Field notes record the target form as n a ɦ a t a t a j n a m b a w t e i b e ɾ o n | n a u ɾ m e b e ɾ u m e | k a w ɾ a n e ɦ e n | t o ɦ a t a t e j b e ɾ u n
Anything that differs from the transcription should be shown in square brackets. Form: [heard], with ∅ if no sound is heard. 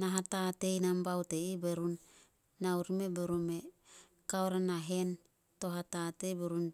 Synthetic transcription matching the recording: n a ɦ a t a t [e] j n a m b a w t e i b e ɾ [u] n | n a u ɾ m e b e ɾ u m e | k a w ɾ a n [a] ɦ e n | t o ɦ a t a t e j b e ɾ u n